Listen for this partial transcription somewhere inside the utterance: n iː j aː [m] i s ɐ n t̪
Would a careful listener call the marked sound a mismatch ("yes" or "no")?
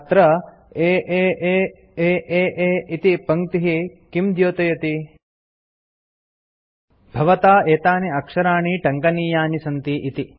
yes